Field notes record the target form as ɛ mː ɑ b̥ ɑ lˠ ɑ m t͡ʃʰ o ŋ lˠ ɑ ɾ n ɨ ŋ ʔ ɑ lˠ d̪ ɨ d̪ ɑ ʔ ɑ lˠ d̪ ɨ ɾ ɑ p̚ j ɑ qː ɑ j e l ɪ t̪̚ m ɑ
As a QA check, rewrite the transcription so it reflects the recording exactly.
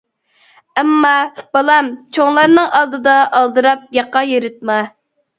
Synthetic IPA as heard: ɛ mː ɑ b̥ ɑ lˠ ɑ m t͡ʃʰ o ŋ lˠ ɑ ɾ n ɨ ŋ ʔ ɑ lˠ d̪ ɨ d̪ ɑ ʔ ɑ lˠ d̪ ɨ ɾ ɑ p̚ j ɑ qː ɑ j e ɾ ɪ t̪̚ m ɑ